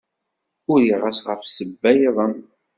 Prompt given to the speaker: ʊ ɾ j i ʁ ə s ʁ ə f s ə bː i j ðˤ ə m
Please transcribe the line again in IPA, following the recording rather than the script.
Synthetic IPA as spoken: ʊ ɾ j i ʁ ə s ʁ ə f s ə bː æ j ðˤ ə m